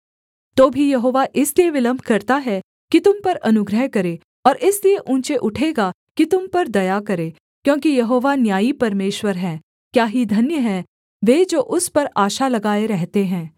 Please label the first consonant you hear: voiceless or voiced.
voiceless